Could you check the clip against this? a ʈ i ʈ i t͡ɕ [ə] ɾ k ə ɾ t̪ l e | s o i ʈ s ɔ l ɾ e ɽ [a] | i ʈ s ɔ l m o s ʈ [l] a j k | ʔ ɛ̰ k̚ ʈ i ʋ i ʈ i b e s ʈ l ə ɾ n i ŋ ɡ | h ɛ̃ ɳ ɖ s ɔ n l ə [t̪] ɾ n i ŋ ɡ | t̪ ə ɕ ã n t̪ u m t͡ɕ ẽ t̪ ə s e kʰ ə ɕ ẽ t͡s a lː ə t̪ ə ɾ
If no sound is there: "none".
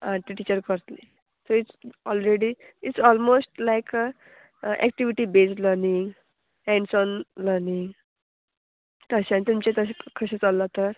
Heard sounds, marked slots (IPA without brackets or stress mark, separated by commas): ə, i, l, none